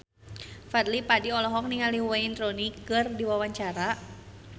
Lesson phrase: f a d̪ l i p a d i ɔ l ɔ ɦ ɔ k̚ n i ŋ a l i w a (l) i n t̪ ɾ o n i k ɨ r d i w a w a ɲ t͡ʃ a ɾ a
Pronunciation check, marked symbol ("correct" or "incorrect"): incorrect